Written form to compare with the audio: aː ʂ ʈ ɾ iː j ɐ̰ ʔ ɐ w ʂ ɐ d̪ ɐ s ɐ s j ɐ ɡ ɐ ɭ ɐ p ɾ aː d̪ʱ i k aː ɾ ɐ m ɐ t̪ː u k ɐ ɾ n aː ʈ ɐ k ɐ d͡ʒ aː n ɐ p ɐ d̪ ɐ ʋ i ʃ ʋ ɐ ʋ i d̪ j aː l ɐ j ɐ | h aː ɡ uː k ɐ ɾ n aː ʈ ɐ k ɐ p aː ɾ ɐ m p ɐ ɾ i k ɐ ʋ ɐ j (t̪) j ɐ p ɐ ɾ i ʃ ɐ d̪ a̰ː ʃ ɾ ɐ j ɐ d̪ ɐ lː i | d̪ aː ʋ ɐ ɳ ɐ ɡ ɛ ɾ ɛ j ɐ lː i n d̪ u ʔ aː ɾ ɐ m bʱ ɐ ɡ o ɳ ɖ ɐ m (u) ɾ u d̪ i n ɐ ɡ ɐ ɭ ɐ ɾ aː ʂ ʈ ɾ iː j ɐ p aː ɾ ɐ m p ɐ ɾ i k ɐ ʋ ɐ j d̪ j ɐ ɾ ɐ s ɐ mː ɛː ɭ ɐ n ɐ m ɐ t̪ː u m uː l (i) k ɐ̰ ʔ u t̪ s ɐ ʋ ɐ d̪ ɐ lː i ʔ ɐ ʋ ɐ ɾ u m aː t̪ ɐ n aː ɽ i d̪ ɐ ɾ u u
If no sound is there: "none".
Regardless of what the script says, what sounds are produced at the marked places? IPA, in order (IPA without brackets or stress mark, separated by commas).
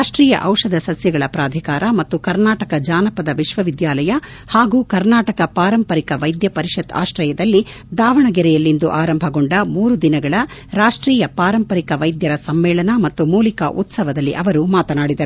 d̪, uː, i